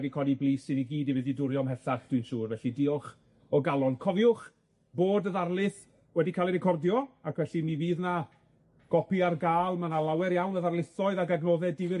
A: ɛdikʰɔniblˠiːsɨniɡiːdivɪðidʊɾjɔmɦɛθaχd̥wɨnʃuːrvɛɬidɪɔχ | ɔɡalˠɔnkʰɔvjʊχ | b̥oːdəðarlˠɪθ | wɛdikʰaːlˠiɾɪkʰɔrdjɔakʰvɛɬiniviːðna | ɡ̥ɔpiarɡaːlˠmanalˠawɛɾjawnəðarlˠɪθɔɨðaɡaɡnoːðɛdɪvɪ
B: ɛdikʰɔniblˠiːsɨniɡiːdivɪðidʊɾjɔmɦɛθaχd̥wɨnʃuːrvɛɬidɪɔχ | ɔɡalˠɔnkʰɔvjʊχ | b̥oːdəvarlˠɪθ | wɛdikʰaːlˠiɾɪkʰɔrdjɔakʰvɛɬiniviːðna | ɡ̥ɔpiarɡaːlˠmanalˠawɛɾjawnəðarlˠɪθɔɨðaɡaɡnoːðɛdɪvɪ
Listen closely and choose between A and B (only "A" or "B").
A